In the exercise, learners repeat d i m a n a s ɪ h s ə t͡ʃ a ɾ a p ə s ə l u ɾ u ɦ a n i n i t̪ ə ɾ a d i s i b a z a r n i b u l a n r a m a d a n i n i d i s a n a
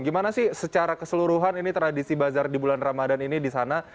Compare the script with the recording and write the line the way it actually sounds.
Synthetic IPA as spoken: ɡ i m a n a s ɪ h s ə t͡ʃ a ɾ a k ə s ə l u ɾ u ɦ a n i n i t̪ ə ɾ a d i s i b a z a r d i b u l a n r a m a d a n i n i d i s a n a